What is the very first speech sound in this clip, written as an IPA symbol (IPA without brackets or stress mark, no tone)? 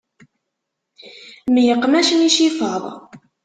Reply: m